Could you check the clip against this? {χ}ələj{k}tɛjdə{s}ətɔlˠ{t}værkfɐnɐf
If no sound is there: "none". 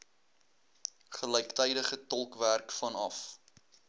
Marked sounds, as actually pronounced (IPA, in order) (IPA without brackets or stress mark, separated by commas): χ, k, χ, k